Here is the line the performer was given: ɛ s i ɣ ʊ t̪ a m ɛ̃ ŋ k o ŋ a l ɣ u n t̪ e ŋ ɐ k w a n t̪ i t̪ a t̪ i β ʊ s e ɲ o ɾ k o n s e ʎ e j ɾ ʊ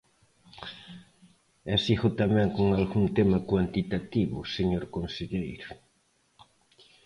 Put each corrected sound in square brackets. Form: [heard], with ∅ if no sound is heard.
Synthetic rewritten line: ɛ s i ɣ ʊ t̪ a m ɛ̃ ŋ k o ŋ a l ɣ u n t̪ e [m] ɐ k w a n t̪ i t̪ a t̪ i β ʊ s e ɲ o ɾ k o n s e ʎ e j ɾ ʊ

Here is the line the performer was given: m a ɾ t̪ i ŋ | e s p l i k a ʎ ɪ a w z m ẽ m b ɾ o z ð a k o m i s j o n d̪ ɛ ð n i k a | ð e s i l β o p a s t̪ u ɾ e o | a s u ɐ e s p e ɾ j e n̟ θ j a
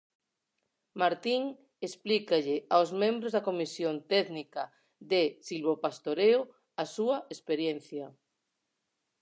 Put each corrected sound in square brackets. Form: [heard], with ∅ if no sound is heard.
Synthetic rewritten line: m a ɾ t̪ i ŋ | e s p l i k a ʎ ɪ a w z m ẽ m b ɾ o z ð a k o m i s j o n [t̪] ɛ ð n i k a | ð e s i l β o p a s t̪ [o] ɾ e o | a s u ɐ e s p e ɾ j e n̟ θ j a

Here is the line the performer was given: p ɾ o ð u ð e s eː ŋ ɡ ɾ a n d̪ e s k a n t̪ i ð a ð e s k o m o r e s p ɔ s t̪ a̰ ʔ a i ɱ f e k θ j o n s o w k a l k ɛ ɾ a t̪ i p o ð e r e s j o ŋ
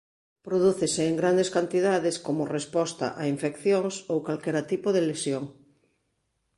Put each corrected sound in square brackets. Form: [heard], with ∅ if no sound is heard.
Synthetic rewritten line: p ɾ o ð u [θ] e s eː ŋ ɡ ɾ a n d̪ e s k a n t̪ i ð a ð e s k o m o r e s p ɔ s t̪ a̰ ʔ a i ɱ f e k θ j o [ŋ] s o w k a l k ɛ ɾ a t̪ i p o ð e [l] e s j o ŋ

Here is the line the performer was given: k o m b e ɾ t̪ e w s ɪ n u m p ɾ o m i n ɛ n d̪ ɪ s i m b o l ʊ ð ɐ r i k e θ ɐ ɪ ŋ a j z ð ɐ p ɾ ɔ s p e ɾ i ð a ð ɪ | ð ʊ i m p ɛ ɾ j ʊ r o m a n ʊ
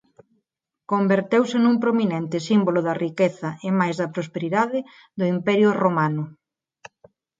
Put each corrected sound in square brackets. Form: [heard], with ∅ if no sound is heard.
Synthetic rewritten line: k o m b e ɾ t̪ e w s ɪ n u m p ɾ o m i n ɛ n [t̪] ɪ s i m b o l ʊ ð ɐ r i k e θ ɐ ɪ [m] a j z ð ɐ p ɾ [o] s p e ɾ i ð a ð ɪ | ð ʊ i m p ɛ ɾ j ʊ r o m a n ʊ

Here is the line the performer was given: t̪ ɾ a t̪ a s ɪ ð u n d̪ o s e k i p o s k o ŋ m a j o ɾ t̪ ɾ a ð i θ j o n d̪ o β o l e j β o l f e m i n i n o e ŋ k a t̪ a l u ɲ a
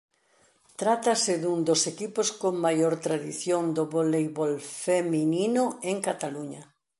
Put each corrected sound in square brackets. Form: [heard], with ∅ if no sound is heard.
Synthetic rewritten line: t̪ ɾ a t̪ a s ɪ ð u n d̪ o s e k i p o s k o ŋ m a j o ɾ t̪ ɾ a ð i θ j o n d̪ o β o l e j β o l f e m i n i n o e ŋ k a t̪ a l u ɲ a

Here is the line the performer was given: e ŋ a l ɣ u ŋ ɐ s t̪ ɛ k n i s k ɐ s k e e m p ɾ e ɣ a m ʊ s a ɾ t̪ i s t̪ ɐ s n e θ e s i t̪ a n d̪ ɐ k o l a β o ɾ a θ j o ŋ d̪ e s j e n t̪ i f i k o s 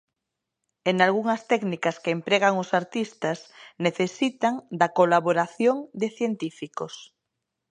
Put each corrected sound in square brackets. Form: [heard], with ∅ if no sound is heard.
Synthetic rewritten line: e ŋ a l ɣ u ŋ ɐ s t̪ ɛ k n i [∅] k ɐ s k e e m p ɾ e ɣ a [ŋ] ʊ s a ɾ t̪ i s t̪ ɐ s n e θ e s i t̪ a [ŋ] d̪ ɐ k o l a β o ɾ a θ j o ŋ d̪ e [θ] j e n t̪ i f i k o s

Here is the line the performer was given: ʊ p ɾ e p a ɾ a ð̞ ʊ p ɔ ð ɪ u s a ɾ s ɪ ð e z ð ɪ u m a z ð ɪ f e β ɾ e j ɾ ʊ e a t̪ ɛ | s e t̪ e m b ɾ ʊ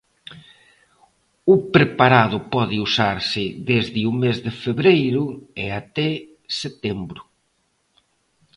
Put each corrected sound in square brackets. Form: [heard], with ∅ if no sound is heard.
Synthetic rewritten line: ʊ p ɾ e p a ɾ a ð̞ ʊ p ɔ ð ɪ u s a ɾ s ɪ ð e z ð ɪ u m [e] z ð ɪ f e β ɾ e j ɾ ʊ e a t̪ ɛ | s e t̪ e m b ɾ ʊ

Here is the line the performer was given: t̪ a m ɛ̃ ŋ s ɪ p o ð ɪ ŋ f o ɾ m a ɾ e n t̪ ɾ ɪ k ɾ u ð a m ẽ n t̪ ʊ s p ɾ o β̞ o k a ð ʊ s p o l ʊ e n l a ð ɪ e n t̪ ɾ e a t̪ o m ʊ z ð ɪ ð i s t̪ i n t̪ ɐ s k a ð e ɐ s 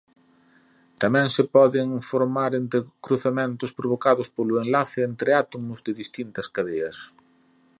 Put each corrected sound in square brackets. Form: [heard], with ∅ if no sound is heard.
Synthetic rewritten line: t̪ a m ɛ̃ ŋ s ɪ p [ɔ] ð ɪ ŋ f o ɾ m a ɾ e n t̪ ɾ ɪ k ɾ u [θ] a m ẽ n t̪ ʊ s p ɾ o β̞ o k a ð ʊ s p o l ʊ e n l a [θ] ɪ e n t̪ ɾ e a t̪ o m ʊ z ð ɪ ð i s t̪ i n t̪ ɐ s k a ð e ɐ s

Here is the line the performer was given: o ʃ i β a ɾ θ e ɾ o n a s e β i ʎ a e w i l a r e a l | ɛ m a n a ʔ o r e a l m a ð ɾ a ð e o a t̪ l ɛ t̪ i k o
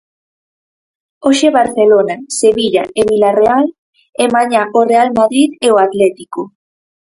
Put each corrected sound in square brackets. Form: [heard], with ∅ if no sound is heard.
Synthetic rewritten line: o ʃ [e] β a ɾ θ e [l] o n a s e β i ʎ a e [β] i l a r e a l | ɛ m a [ɲ] a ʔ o r e a l m a ð ɾ [i] ð e o a t̪ l ɛ t̪ i k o

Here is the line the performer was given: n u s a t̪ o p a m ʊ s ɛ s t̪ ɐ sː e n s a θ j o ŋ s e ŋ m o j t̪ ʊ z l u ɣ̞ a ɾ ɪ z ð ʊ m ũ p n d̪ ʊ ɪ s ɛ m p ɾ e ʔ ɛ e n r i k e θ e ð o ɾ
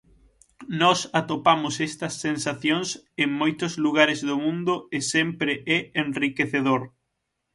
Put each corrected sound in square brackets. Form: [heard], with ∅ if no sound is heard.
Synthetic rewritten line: n [ɔ] s a t̪ o p a m ʊ s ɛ s t̪ ɐ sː e n s a θ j o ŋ s e ŋ m o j t̪ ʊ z l u ɣ̞ a ɾ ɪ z ð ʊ m ũ [∅] n d̪ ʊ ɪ s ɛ m p ɾ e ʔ ɛ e n r i k e θ e ð o ɾ

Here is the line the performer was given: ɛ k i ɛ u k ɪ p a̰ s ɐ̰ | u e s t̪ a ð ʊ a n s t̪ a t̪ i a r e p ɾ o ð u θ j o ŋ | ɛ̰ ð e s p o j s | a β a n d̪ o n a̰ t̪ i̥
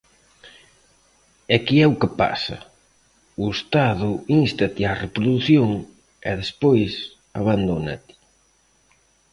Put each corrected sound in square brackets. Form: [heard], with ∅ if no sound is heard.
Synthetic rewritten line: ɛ k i ɛ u k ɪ p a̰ s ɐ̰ | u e s t̪ a ð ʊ [i] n s t̪ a t̪ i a r e p ɾ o ð u θ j o ŋ | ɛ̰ ð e s p o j s | a β a n d̪ o n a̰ t̪ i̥

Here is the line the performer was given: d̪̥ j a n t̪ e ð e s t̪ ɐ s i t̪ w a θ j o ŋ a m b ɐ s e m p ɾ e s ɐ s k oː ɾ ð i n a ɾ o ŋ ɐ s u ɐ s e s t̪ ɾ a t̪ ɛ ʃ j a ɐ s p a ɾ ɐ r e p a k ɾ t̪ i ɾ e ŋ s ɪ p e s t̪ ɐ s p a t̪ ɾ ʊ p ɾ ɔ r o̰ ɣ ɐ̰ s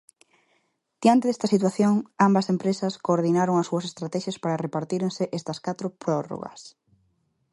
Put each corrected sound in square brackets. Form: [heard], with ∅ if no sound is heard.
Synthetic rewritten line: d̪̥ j a n t̪ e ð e s t̪ ɐ s i t̪ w a θ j o ŋ a m b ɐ s e m p ɾ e s ɐ s k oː ɾ ð i n a ɾ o ŋ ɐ s u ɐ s e s t̪ ɾ a t̪ ɛ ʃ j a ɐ s p a ɾ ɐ r e p a [∅] ɾ t̪ i ɾ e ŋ s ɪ [ʔ] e s t̪ ɐ s [k] a t̪ ɾ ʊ p ɾ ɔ r o̰ ɣ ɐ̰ s

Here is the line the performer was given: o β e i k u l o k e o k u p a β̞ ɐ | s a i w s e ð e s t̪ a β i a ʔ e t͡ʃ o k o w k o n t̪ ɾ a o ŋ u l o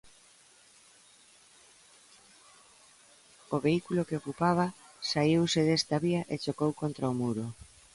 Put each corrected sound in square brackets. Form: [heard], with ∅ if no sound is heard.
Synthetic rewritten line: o β e i k u l o k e o k u p a β̞ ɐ | s a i w s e ð e s t̪ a β i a ʔ e t͡ʃ o k o w k o n t̪ ɾ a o [m] u [ɾ] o

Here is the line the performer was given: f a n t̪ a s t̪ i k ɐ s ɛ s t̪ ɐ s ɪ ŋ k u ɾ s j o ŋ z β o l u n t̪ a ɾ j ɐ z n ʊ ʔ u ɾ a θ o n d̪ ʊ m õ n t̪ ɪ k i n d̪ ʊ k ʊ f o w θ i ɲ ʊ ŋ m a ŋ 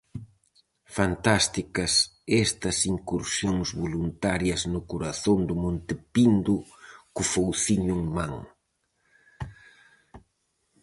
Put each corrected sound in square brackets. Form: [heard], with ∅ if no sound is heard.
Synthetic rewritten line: f a n t̪ a s t̪ i k ɐ s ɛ s t̪ ɐ s [i] ŋ k u ɾ s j o ŋ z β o l u n t̪ a ɾ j ɐ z n ʊ [k] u ɾ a θ o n d̪ ʊ m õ n t̪ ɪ [p] i n d̪ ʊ k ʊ f o w θ i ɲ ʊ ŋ m a ŋ

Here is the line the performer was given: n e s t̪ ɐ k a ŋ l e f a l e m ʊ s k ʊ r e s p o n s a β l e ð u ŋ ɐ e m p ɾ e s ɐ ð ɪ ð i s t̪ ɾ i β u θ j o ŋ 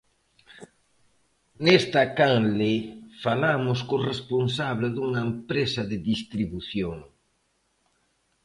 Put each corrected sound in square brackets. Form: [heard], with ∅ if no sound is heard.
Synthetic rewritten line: n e s t̪ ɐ k a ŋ l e f a l [a] m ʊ s k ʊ r e s p o n s a β l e ð u ŋ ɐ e m p ɾ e s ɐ ð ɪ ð i s t̪ ɾ i β u θ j o ŋ

